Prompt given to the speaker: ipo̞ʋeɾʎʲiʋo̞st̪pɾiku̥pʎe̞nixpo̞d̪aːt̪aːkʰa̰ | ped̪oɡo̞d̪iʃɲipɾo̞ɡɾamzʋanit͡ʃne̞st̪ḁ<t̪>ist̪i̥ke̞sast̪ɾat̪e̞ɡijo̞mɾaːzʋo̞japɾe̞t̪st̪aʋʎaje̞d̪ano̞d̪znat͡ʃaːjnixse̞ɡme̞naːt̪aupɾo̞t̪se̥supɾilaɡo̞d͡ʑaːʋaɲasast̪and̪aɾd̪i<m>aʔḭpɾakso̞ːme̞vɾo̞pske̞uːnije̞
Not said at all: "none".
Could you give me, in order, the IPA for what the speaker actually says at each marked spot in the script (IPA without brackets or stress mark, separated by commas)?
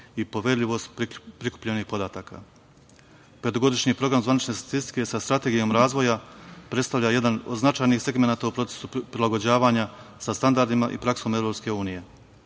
t̪, m